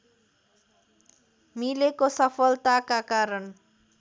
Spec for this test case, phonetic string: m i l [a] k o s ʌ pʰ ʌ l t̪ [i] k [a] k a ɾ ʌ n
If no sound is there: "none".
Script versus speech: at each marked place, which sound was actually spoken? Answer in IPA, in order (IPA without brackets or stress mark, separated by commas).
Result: e, a, a